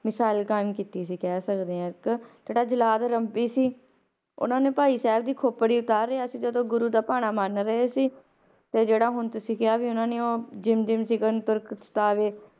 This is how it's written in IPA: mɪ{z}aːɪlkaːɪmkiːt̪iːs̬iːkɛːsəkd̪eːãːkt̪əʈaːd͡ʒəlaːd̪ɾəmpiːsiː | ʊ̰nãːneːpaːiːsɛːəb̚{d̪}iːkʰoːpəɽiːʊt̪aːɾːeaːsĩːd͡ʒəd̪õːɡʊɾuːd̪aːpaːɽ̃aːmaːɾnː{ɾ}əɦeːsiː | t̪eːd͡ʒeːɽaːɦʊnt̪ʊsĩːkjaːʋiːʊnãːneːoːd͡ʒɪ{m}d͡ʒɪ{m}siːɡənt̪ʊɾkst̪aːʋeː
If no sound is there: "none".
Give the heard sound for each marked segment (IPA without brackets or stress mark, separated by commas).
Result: s, d̪, ɾ, m, m